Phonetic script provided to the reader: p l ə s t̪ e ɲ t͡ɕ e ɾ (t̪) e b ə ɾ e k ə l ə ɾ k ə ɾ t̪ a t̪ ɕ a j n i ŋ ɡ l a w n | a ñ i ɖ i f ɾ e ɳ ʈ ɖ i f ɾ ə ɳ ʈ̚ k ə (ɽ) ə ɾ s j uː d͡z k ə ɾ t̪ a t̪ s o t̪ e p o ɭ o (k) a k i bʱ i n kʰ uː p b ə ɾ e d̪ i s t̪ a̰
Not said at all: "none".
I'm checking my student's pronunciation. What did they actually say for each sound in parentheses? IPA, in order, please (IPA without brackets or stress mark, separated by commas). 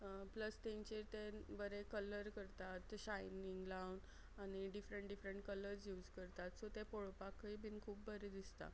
t̪, l, p